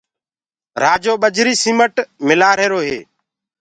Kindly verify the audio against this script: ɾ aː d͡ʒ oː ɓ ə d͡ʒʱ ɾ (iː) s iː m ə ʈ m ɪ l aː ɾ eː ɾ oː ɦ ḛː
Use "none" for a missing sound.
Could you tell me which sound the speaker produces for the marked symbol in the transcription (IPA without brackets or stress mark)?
iː